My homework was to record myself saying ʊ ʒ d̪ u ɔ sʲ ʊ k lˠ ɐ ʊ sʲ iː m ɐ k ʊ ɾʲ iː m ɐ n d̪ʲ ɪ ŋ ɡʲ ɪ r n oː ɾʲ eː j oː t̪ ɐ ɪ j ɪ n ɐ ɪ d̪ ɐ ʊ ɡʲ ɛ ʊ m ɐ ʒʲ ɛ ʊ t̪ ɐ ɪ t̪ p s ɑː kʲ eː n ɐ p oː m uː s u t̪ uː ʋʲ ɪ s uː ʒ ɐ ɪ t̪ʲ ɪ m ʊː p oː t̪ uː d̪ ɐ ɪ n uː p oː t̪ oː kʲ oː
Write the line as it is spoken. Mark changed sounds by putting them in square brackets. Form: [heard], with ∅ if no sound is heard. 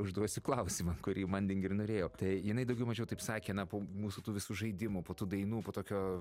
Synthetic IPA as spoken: ʊ ʒ d̪ u ɔ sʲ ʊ k lˠ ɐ ʊ sʲ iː m ɐ k ʊ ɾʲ iː m ɐ n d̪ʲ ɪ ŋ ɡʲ ɪ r n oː ɾʲ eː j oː t̪ ɐ ɪ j ɪ n ɐ ɪ d̪ ɐ ʊ ɡʲ ɛ ʊ m ɐ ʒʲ ɛ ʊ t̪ ɐ ɪ [∅] p s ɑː kʲ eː n ɐ p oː m uː s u t̪ uː ʋʲ ɪ s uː ʒ ɐ ɪ [d̪ʲ] ɪ m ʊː p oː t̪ uː d̪ ɐ ɪ n uː p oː t̪ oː kʲ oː